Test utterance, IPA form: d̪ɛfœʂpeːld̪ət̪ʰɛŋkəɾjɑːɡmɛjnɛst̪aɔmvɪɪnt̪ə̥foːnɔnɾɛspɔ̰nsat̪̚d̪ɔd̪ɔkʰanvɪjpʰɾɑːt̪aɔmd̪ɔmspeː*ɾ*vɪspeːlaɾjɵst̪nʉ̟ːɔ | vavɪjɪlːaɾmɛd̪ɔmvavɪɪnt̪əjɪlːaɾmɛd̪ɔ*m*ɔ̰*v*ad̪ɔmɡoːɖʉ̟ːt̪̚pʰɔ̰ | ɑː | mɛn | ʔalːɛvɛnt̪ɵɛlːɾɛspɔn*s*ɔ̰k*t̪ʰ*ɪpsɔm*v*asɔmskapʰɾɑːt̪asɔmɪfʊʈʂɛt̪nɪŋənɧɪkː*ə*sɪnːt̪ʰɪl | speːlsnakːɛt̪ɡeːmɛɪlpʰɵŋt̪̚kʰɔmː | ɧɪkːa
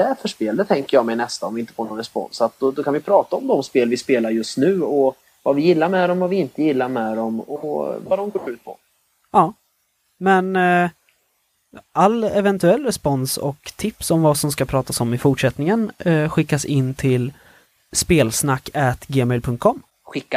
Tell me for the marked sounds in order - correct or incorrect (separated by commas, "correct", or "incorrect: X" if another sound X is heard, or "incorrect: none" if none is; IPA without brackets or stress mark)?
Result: incorrect: l, correct, correct, correct, correct, correct, incorrect: a